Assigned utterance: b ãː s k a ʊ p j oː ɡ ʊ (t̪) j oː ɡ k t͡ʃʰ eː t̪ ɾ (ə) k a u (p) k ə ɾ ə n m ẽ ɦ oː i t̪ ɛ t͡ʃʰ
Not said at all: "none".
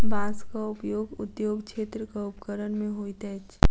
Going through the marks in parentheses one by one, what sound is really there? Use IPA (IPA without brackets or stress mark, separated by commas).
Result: t̪, ə, p